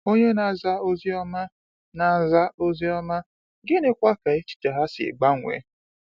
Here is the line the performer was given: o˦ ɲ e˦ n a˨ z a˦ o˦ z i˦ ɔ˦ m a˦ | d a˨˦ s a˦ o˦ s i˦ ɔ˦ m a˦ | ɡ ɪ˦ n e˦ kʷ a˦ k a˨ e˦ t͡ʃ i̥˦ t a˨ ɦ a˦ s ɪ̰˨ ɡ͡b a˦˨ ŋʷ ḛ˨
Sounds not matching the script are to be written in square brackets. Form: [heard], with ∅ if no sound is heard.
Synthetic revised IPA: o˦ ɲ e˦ n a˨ z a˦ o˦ z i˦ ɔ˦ m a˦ | [n] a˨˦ [z] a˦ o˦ [z] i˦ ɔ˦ m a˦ | ɡ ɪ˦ n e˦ kʷ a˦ k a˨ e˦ t͡ʃ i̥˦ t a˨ ɦ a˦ s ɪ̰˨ ɡ͡b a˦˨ ŋʷ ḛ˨